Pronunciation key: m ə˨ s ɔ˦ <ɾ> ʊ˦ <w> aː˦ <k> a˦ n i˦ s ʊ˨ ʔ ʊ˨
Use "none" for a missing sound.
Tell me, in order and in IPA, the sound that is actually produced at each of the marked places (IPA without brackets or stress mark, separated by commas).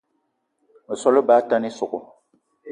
l, b, t